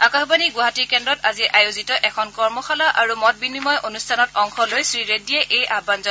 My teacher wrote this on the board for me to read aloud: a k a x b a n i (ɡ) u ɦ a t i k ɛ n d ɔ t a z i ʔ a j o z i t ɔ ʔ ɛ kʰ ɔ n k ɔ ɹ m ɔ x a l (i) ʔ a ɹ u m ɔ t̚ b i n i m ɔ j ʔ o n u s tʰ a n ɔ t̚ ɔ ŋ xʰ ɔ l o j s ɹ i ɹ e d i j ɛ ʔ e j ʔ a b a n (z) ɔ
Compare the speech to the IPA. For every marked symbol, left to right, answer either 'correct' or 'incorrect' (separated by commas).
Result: correct, incorrect, correct